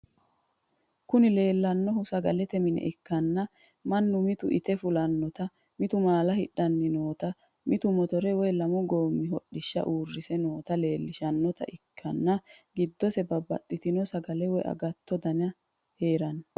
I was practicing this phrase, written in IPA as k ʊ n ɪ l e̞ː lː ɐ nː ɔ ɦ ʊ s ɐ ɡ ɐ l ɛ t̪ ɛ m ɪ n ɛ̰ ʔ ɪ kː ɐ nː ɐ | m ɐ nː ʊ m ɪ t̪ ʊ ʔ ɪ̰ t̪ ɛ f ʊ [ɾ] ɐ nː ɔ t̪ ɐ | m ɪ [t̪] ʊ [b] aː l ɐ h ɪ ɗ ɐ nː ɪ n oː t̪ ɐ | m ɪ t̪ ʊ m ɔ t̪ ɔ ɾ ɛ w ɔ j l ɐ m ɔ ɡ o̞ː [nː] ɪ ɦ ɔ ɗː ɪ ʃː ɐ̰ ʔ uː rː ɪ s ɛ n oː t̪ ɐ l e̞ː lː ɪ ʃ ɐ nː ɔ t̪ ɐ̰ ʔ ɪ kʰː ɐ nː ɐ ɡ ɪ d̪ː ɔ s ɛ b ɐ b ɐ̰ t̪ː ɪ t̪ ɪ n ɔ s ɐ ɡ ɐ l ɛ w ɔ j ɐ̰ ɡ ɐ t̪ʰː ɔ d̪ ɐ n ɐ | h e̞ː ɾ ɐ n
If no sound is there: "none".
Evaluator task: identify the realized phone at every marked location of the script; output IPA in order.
l, t̪, m, mː

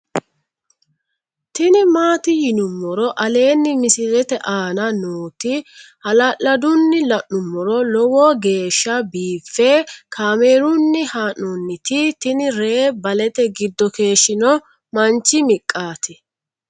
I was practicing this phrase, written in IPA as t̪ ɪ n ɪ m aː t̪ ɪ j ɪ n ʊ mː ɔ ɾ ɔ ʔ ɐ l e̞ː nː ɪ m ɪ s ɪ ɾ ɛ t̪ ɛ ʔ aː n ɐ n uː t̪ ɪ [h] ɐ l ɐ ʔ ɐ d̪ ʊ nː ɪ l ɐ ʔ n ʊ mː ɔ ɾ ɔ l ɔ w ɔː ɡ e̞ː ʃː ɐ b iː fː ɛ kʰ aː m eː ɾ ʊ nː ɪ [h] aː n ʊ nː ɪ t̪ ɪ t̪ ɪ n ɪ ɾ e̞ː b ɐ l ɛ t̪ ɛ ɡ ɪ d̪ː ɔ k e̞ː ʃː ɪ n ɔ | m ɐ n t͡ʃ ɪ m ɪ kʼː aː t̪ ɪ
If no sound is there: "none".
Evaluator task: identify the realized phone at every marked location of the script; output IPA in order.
h, h

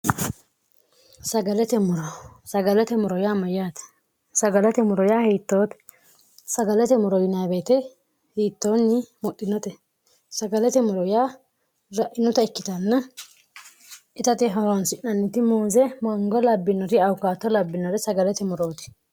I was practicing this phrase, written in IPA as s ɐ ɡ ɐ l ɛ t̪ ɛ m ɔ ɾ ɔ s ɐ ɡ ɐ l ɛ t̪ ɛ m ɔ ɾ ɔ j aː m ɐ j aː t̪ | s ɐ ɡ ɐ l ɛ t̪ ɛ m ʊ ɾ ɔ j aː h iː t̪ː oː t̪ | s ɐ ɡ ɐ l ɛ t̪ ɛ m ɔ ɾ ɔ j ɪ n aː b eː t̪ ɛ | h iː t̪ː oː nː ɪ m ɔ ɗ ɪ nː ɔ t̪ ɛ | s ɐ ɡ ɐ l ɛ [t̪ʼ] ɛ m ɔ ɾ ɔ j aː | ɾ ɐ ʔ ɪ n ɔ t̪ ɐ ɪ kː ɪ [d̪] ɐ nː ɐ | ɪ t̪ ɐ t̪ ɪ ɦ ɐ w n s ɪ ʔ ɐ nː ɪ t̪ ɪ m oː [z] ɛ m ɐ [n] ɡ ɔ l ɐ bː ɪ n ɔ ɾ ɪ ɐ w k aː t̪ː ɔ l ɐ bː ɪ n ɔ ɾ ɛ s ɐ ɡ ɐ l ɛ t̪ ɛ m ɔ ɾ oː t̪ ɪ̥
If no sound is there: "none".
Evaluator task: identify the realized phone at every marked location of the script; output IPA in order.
t̪, t̪, z, ŋ

